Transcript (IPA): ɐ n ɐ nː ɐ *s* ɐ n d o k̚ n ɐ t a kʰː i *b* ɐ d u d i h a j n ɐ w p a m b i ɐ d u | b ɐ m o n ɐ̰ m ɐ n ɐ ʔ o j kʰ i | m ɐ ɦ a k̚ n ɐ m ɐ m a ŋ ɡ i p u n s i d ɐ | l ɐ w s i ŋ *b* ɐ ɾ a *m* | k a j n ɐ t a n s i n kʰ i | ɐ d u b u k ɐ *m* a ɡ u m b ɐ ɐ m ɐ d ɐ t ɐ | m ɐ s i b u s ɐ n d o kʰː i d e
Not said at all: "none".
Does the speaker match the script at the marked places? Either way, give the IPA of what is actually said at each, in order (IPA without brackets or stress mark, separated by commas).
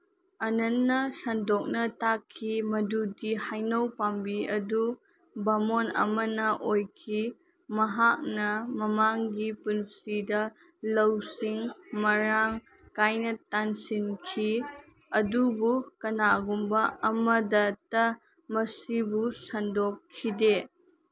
s, m, m, ŋ, n